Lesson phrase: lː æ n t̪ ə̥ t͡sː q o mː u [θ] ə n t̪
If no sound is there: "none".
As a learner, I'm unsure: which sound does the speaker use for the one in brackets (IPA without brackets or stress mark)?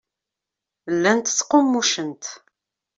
ʃ